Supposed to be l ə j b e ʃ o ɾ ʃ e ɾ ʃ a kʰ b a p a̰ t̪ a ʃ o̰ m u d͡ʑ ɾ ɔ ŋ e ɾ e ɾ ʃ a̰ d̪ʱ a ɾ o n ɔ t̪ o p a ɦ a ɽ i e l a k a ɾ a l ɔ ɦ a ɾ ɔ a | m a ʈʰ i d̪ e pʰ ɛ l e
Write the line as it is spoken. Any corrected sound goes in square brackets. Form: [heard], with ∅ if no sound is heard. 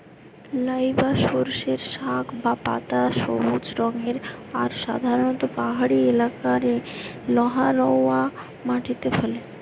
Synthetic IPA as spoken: l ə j b [a] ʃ o ɾ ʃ e ɾ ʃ a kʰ b a p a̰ t̪ a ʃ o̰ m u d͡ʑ ɾ ɔ ŋ e ɾ [a] ɾ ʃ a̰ d̪ʱ a ɾ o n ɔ t̪ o p a ɦ a ɽ i e l a k a ɾ [e] l ɔ ɦ a ɾ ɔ a | m a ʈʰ i [t̪] e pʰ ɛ l e

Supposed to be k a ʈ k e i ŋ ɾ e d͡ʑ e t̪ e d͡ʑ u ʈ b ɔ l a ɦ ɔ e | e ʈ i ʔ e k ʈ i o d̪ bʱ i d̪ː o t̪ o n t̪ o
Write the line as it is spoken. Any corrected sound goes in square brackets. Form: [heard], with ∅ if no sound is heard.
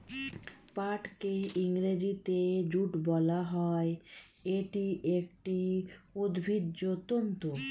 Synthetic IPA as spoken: [p] a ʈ k e i ŋ ɾ e d͡ʑ [i] t̪ e d͡ʑ u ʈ b ɔ l a ɦ ɔ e | e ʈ i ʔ e k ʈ i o d̪ bʱ i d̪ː o t̪ o n t̪ o

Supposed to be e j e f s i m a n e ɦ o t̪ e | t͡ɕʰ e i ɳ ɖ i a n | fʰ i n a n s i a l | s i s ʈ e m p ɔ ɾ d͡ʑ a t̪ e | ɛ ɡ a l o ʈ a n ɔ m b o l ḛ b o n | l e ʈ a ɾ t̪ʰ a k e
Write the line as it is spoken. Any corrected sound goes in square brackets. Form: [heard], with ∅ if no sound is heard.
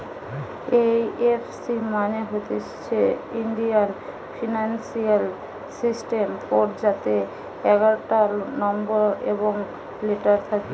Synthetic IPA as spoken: e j e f s i m a n e ɦ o t̪ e | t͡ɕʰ e i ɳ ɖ i a n | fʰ i n a n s i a l | s i s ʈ e m p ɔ ɾ d͡ʑ a t̪ e | ɛ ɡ a [ɾ] o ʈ a n ɔ m b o [ɾ] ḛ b o [ŋ] | l e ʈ a ɾ t̪ʰ a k e

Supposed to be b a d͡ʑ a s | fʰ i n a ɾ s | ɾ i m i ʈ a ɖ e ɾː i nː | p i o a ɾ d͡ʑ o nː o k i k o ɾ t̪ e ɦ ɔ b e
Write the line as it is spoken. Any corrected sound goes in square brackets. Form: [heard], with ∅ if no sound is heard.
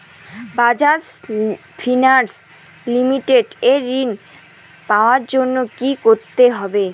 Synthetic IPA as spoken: b a d͡ʑ a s | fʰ i n a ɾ s | [l] i m i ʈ [e] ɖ e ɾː i [n] | p [a] o a ɾ d͡ʑ o nː o k i k o ɾ t̪ e ɦ ɔ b e

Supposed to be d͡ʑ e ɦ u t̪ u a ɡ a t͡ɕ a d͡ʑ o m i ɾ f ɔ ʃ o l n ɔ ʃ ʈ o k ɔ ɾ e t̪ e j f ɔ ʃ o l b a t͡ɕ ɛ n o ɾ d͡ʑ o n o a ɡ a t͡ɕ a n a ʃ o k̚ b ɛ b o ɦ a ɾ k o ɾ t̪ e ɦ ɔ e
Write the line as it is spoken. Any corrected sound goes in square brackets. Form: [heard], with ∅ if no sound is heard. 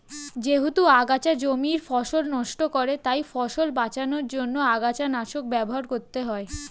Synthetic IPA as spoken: d͡ʑ e ɦ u t̪ u a ɡ a t͡ɕ a d͡ʑ o m i ɾ f ɔ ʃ o l n ɔ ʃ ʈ o k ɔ ɾ e t̪ [a] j f ɔ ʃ o l b a t͡ɕ [a] n o ɾ d͡ʑ o [nː] o a ɡ a t͡ɕ a n a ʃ o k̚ b ɛ b o ɦ a ɾ k o ɾ t̪ e ɦ ɔ e

